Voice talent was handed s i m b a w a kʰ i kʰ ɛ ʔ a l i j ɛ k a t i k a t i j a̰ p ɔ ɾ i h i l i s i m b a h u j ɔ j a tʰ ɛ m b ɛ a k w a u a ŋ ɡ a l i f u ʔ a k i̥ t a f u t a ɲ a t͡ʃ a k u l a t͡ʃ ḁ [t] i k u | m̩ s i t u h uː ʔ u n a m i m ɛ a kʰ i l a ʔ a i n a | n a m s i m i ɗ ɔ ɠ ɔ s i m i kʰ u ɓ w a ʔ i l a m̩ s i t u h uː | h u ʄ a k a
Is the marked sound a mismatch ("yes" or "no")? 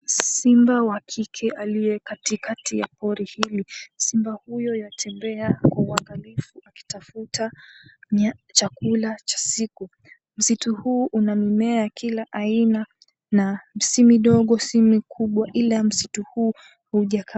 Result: yes